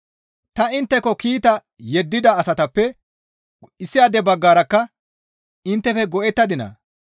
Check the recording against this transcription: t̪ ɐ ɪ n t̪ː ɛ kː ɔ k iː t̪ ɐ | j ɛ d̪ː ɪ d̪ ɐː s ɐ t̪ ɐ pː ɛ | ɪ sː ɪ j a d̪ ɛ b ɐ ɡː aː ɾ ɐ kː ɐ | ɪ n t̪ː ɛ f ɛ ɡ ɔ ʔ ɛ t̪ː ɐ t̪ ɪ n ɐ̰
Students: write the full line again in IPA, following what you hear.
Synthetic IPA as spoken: t̪ ɐ ɪ n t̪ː ɛ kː ɔ k iː t̪ ɐ | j ɛ d̪ː ɪ d̪ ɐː s ɐ t̪ ɐ pː ɛ | ɪ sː ɪ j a d̪ ɛ b ɐ ɡː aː ɾ ɐ kː ɐ | ɪ n t̪ː ɛ f ɛ ɡ ɔ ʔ ɛ t̪ː ɐ d̪ ɪ n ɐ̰